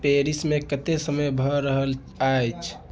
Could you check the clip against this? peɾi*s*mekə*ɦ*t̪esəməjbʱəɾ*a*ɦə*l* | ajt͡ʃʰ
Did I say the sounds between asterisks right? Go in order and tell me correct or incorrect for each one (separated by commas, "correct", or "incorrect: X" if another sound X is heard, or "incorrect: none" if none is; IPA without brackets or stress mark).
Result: correct, incorrect: none, incorrect: ə, correct